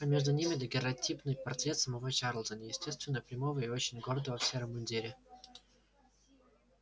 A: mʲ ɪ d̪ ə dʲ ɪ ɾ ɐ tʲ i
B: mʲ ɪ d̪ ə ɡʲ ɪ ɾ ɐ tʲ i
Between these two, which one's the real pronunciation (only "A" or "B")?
B